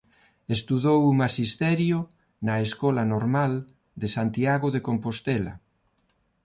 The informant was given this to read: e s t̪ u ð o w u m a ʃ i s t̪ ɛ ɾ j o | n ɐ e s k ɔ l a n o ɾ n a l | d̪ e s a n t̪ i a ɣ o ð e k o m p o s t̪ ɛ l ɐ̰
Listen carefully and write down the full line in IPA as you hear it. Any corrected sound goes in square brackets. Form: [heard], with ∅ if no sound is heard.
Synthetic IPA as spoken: e s t̪ u ð o w u m a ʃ i s t̪ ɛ ɾ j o | n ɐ e s k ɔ l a n o ɾ [m] a l | d̪ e s a n t̪ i a ɣ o ð e k o m p o s t̪ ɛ l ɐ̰